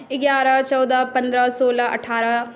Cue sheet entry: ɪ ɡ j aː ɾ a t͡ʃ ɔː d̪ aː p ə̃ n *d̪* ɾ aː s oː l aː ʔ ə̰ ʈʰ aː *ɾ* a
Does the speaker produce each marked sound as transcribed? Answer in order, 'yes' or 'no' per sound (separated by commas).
yes, yes